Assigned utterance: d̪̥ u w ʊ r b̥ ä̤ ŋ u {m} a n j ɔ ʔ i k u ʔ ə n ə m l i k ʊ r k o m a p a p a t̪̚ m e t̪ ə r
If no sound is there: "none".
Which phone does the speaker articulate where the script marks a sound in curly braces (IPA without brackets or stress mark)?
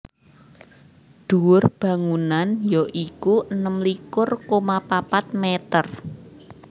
n